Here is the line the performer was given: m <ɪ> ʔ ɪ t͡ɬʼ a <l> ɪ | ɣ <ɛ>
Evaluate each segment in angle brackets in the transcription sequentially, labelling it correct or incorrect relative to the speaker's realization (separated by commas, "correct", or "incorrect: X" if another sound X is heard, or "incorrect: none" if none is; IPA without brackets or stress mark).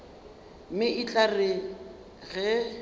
correct, incorrect: r, correct